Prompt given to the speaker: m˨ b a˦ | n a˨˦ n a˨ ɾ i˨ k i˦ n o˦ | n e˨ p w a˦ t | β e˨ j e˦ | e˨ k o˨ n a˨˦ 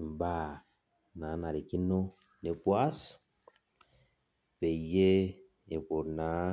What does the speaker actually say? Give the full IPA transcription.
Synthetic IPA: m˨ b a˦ | n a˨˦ n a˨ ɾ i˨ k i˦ n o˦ | n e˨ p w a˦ s | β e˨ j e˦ | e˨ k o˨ n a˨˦